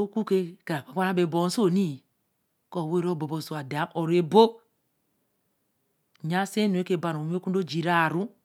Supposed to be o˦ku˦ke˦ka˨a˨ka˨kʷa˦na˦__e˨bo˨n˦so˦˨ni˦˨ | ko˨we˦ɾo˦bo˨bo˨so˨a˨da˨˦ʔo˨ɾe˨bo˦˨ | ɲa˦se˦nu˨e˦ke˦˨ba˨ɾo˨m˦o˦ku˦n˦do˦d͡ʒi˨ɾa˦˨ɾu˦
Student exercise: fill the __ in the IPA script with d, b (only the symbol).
b